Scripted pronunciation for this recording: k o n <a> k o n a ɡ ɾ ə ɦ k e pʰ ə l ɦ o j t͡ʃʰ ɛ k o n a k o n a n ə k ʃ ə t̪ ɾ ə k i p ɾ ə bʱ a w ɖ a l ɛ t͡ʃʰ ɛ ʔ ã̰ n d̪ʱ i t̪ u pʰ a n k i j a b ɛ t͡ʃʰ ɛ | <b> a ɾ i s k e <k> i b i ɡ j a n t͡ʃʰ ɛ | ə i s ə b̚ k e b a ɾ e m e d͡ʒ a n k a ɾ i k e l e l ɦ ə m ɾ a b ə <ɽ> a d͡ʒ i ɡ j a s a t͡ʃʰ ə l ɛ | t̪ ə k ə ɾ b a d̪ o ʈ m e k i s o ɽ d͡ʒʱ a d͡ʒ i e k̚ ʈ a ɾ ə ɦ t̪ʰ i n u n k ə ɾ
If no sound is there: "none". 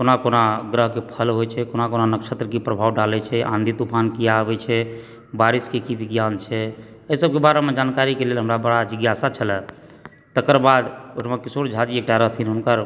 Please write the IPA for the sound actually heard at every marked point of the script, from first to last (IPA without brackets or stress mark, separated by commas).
a, b, k, ɽ